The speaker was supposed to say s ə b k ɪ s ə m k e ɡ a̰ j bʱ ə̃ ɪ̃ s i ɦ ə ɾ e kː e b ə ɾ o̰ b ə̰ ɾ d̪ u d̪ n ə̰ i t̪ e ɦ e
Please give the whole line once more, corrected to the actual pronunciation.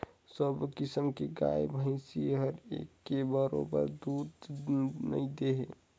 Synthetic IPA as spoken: s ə b k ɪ s ə m k e ɡ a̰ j bʱ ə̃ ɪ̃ s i ɦ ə ɾ e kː e b ə ɾ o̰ b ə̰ ɾ d̪ u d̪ n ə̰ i d̪ e ɦ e